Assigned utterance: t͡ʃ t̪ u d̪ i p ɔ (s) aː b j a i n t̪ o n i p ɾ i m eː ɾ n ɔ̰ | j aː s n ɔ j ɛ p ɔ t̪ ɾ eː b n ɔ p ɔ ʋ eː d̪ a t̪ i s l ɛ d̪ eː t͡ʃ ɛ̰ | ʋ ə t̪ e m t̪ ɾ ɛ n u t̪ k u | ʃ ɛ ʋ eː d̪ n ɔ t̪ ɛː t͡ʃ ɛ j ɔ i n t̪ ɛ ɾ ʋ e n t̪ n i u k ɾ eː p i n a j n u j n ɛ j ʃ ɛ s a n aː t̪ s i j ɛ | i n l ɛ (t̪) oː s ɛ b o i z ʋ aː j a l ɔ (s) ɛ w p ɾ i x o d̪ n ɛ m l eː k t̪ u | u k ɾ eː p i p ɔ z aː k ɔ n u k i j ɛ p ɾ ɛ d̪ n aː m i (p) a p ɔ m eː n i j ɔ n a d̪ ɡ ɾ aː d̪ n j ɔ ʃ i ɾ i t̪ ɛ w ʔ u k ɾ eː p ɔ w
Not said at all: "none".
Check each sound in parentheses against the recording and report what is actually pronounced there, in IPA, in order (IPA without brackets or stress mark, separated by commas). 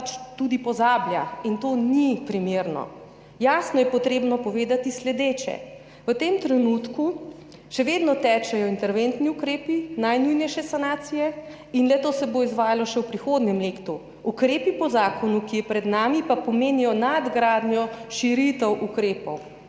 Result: z, t̪, ʃ, p